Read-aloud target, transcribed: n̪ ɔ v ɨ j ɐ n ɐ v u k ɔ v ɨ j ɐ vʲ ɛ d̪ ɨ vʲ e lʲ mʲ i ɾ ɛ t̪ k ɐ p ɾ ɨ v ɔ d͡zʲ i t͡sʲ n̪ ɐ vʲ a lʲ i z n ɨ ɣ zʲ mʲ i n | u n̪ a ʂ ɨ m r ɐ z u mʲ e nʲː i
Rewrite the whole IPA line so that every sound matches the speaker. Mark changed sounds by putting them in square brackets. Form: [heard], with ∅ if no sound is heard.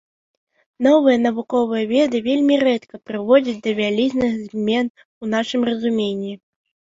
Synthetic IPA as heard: n̪ ɔ v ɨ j ɐ n ɐ v u k ɔ v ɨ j ɐ vʲ ɛ d̪ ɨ vʲ e lʲ mʲ i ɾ ɛ t̪ k ɐ p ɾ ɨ v ɔ d͡zʲ i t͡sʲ [d̪] ɐ vʲ a lʲ i z n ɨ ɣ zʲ mʲ [ɛ] n | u n̪ a ʂ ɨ m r ɐ z u mʲ e nʲː i